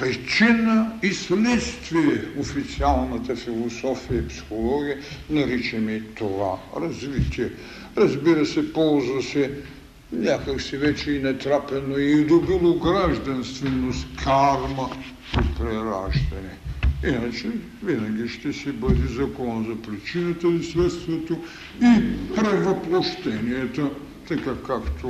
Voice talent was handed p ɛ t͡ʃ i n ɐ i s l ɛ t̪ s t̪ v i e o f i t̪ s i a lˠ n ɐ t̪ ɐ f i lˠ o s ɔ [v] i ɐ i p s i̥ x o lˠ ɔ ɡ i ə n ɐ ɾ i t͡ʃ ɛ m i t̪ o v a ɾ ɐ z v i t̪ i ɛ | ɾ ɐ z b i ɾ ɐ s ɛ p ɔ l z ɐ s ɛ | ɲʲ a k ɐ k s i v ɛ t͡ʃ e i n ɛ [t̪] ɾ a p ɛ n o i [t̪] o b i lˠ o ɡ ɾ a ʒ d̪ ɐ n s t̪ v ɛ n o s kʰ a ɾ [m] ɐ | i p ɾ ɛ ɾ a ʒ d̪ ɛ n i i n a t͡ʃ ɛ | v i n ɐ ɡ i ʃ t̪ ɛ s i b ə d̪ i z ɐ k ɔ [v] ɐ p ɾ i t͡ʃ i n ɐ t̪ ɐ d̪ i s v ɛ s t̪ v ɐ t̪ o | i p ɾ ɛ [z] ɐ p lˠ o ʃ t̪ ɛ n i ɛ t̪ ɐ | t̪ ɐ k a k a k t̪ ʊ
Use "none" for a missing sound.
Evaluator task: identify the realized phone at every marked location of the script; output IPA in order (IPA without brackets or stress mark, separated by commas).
f, t̪, d̪, m, z, v